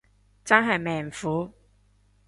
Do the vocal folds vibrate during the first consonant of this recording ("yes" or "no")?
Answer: no